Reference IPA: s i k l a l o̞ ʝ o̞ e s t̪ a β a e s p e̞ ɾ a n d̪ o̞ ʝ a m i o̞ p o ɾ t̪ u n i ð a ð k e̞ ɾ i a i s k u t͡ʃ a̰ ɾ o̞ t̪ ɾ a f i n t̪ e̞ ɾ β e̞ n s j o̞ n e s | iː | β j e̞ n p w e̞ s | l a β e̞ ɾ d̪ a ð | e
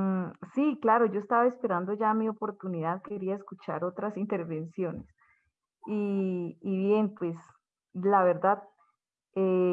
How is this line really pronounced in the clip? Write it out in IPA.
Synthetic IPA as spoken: s i k l a ɾ o̞ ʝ o̞ e s t̪ a β a e s p e̞ ɾ a n d̪ o̞ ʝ a m i o̞ p o ɾ t̪ u n i ð a ð k e̞ ɾ i a e s k u t͡ʃ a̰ ɾ o̞ t̪ ɾ a s i n t̪ e̞ ɾ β e̞ n s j o̞ n e s | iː | β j e̞ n p w e̞ s | l a β e̞ ɾ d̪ a ð | e

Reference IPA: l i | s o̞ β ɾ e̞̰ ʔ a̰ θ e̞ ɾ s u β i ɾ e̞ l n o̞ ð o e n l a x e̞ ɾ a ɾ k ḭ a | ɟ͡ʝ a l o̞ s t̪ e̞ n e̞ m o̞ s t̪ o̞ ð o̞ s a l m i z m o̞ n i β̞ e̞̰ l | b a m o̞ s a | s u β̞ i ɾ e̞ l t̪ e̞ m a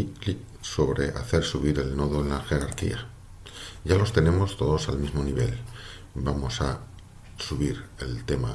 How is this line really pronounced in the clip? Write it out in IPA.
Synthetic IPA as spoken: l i | s o̞ β ɾ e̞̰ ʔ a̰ θ e̞ ɾ s u β i ɾ e̞ l n o̞ ð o e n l a x e̞ ɾ a ɾ k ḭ a | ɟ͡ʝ a l o̞ s t̪ e̞ n e̞ m o̞ s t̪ o̞ ð o̞ s a l m i z m o̞ n i β̞ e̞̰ l | b a m o̞ s a | s u β̞ i ɾ e̞ l t̪ e̞ m a

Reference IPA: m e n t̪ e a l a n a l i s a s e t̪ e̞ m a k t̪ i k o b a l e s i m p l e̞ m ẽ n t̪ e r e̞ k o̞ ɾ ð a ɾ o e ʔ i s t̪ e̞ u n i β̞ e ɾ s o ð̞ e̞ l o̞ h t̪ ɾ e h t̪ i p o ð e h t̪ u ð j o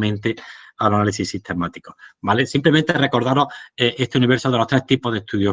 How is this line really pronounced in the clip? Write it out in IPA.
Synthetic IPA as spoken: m ẽ n t̪ e a l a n a l i s i s i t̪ e̞ m a t̪ i k o b a l e s i m p l e̞ m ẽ n t̪ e r e̞ k o̞ ɾ ð a ɾ o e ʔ e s t̪ e̞ u n i β̞ e ɾ s o ð̞ e̞ l o̞ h t̪ ɾ e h t̪ i p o ð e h t̪ u ð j o

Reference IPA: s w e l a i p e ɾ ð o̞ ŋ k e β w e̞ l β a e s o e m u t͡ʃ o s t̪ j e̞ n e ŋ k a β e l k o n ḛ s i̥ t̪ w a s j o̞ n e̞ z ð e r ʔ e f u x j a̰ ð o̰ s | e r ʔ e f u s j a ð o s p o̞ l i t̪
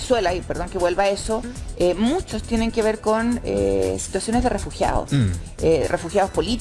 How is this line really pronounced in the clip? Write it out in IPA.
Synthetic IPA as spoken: s w e l a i p e ɾ ð o̞ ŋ k e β w e̞ l β a e s o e m u t͡ʃ o s t̪ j e̞ n e ŋ k e β e ɾ k o n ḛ s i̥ t̪ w a s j o̞ n e̞ z ð e r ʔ e f u x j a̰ ð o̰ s | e r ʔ e f u x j a ð o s p o̞ l i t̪

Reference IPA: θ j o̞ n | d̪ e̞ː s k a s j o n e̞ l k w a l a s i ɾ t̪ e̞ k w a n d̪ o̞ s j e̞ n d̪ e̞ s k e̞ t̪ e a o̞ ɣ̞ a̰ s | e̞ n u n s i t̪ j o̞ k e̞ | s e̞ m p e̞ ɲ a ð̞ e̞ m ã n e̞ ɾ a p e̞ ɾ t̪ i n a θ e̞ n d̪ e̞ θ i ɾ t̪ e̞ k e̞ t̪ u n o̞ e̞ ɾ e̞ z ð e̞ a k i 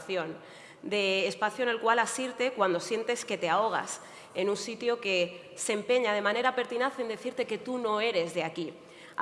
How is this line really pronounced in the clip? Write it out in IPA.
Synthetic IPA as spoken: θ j o̞ n | d̪ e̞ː s p a θ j o n e̞ l k w a l a s i ɾ t̪ e̞ k w a n d̪ o̞ s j e̞ n t̪ e̞ s k e̞ t̪ e a o̞ ɣ̞ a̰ s | e̞ n u n s i t̪ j o̞ k e̞ | s e̞ m p e̞ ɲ a ð̞ e̞ m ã n e̞ ɾ a p e̞ ɾ t̪ i n a θ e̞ n d̪ e̞ θ i ɾ t̪ e̞ k e̞ t̪ u n o̞ e̞ ɾ e̞ z ð e̞ a k i

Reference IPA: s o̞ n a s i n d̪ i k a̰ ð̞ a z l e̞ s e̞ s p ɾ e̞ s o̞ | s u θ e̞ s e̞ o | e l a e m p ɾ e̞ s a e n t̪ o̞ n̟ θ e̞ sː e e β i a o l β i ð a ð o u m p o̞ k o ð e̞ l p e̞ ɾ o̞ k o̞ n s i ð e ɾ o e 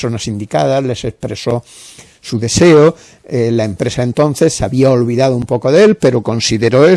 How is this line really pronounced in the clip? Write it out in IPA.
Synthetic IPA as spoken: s o̞ n a s i n d̪ i k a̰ ð̞ a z l e̞ s e̞ s p ɾ e̞ s o̞ | s u ð e̞ s e̞ o | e l a e m p ɾ e̞ s a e n t̪ o̞ n̟ θ e̞ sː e a β i a o l β i ð a ð o u m p o̞ k o ð e̞ l p e̞ ɾ o̞ k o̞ n s i ð e ɾ o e

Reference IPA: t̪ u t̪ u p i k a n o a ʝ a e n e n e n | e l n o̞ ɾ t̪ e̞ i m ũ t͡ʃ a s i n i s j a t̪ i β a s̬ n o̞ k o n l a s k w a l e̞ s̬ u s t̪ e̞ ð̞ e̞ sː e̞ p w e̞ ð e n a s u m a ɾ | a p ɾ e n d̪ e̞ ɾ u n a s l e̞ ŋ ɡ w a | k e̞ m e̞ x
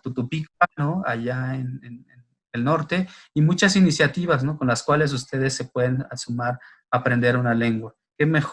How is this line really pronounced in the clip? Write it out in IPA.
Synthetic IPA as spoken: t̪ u t̪ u p i k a n o a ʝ a e n e n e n | e l n o̞ ɾ t̪ e̞ i m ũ t͡ʃ a s i n i s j a t̪ i β a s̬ n o̞ k o n l a s k w a l e̞ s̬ u s t̪ e̞ ð̞ e̞ sː e̞ p w e̞ ð e n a s u m a ɾ | a p ɾ e n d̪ e̞ ɾ u n a l e̞ ŋ ɡ w a | k e̞ m e̞ x

